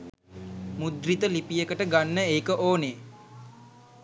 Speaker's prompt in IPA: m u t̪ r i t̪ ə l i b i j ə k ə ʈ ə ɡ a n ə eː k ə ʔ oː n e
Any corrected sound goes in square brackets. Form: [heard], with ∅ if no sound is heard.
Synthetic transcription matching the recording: m u [d̪] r i t̪ ə l i [p] i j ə k ə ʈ ə ɡ a [nː] ə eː k ə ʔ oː n e